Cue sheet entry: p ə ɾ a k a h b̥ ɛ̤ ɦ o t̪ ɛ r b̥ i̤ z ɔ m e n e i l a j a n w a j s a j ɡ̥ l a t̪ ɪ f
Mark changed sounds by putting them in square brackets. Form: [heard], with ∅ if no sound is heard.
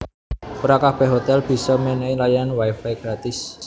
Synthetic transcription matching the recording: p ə ɾ a k a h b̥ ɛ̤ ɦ o t̪ ɛ [l] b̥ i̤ [s] ɔ m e n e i l a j a n w a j [f] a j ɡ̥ [ɾ] a t̪ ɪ [s]